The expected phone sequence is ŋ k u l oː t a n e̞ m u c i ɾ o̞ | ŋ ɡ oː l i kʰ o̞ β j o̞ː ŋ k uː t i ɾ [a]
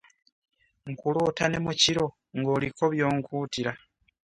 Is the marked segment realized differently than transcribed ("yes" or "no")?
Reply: no